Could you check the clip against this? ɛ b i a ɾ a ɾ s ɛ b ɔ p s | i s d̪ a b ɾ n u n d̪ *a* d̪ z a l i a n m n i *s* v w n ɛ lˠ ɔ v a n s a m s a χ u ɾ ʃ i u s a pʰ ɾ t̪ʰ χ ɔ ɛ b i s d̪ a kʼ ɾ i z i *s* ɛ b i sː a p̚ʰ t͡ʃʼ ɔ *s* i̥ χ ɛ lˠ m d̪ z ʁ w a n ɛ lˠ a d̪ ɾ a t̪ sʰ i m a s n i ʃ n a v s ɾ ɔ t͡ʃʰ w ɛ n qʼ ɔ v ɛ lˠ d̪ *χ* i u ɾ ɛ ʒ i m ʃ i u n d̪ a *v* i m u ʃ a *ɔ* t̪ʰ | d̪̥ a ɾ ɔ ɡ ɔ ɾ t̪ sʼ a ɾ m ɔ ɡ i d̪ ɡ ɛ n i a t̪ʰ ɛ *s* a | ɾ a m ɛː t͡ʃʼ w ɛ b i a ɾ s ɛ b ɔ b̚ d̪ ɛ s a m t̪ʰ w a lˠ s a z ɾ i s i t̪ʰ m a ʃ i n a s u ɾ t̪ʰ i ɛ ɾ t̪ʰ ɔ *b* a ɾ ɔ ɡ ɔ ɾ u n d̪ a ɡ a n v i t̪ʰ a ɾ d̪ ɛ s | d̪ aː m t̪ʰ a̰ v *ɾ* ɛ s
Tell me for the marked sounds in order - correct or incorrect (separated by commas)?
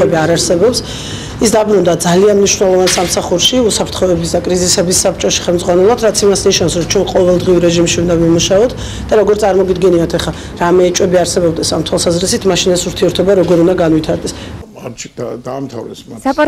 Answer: correct, incorrect, correct, incorrect, incorrect, correct, correct, incorrect, correct, correct